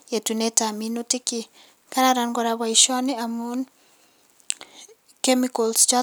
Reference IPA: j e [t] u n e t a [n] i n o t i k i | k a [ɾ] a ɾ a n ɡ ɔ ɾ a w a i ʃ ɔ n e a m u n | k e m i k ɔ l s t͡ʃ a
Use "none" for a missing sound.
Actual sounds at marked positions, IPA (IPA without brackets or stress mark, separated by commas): t, m, ɾ